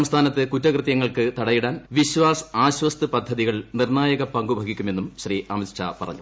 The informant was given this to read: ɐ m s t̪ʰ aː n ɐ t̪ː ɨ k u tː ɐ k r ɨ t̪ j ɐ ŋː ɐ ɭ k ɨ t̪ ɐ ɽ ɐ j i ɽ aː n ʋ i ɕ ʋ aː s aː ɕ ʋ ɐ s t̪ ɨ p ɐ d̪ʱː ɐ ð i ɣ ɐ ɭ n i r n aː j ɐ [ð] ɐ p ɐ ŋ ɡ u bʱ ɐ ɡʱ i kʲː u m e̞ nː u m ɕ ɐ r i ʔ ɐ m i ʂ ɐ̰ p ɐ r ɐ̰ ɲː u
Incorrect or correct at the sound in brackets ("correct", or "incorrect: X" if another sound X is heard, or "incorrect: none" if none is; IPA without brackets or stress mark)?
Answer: incorrect: ɣ